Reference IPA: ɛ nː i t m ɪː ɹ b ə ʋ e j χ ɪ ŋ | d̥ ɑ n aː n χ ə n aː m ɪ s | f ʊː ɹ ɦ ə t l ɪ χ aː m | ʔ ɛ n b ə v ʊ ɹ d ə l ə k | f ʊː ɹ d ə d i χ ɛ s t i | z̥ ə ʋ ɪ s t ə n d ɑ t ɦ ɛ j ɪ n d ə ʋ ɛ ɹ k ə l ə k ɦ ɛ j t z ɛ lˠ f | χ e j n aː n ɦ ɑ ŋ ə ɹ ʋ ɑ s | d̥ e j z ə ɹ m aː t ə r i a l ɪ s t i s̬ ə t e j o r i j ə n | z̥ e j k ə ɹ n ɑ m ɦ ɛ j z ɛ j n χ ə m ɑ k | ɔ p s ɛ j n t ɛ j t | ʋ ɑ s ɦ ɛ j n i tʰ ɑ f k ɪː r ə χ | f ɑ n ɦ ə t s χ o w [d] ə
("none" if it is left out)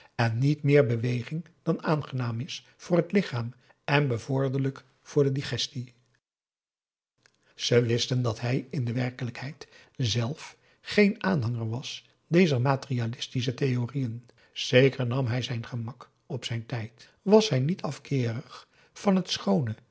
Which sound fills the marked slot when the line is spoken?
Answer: n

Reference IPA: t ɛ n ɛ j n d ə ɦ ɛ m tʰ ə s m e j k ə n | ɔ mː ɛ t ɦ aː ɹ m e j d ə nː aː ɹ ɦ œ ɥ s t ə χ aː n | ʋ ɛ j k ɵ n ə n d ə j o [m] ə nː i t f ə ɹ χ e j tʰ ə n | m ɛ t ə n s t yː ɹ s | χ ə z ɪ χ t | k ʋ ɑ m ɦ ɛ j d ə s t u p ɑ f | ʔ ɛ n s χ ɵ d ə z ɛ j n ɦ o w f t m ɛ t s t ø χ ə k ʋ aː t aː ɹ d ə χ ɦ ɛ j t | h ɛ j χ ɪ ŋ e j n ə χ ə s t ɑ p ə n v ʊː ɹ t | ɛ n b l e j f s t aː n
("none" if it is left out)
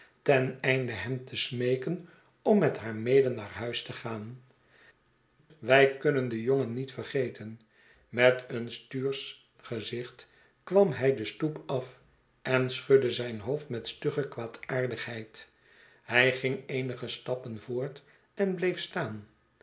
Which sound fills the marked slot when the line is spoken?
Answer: ŋ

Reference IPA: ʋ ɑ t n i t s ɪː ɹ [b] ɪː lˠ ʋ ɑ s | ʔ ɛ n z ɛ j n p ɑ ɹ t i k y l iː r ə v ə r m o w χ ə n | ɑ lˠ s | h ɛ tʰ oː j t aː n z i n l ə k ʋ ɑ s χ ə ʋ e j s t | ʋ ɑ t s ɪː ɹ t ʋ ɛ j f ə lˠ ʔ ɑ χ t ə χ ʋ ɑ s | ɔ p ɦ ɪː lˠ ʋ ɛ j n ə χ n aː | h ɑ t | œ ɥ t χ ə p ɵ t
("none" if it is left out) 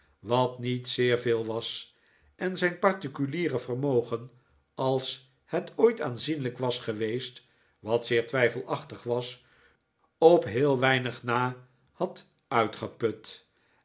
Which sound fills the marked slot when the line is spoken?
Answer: v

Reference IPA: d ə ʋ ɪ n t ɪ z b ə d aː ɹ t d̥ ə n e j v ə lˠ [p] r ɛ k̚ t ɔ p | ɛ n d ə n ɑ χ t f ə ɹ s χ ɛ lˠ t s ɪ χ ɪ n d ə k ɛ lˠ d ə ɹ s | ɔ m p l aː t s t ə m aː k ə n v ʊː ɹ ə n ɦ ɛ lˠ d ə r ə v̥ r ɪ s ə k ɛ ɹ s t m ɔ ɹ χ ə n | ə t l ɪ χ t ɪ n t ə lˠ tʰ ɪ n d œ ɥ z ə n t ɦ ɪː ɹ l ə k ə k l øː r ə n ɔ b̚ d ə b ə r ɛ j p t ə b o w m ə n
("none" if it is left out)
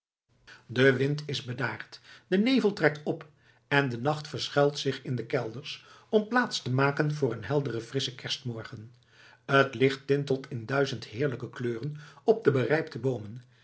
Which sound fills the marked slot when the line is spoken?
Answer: t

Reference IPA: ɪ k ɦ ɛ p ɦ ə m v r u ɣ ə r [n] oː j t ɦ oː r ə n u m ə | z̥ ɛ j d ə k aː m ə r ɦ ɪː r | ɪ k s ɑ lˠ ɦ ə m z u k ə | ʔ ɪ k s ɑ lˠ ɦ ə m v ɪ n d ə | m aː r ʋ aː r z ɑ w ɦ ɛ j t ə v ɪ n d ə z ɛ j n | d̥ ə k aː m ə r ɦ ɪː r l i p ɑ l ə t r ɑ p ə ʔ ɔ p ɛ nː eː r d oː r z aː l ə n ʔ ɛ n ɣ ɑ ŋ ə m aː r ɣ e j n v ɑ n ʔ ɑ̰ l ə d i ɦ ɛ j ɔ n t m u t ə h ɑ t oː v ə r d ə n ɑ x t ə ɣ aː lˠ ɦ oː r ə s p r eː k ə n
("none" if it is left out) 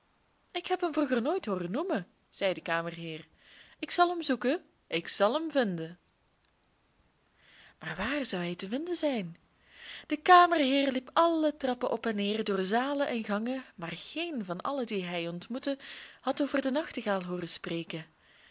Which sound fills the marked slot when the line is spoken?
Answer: n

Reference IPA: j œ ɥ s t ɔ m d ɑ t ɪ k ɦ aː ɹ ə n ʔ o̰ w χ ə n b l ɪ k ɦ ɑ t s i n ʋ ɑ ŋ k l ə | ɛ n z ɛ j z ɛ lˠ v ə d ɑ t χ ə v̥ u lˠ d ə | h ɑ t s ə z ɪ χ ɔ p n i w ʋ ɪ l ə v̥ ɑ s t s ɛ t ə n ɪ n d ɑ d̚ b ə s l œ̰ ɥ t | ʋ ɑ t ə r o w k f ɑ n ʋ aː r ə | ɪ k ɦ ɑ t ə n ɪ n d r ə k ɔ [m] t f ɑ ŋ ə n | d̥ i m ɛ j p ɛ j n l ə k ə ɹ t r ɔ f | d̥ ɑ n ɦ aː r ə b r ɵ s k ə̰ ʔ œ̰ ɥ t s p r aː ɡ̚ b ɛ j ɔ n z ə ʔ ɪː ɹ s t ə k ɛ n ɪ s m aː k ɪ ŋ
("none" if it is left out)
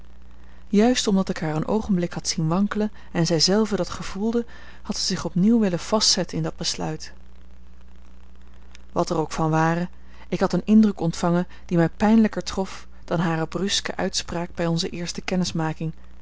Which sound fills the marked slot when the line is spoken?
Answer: n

